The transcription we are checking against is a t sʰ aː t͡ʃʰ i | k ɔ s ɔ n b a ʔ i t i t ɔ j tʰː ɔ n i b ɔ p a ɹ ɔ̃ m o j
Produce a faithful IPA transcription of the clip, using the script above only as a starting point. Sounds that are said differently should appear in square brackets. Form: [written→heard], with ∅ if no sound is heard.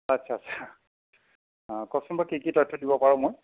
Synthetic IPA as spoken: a t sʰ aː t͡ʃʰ [i→a] | k ɔ s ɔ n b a [ʔ→k] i [t→k] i t ɔ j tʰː ɔ [n→d] i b ɔ p a ɹ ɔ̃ m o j